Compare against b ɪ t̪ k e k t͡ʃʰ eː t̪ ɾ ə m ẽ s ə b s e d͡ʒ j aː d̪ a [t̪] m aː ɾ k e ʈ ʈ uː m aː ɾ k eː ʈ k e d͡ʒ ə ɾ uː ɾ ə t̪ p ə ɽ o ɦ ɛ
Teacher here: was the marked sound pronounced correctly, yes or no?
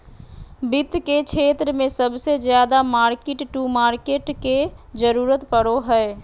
no